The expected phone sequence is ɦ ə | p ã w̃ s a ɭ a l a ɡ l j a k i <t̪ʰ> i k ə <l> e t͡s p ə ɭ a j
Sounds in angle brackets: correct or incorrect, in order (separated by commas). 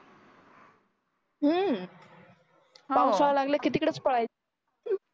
incorrect, incorrect